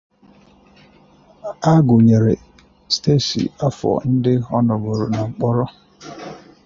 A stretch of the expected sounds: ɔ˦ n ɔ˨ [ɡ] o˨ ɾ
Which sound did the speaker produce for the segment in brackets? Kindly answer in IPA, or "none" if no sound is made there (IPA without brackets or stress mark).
ɡ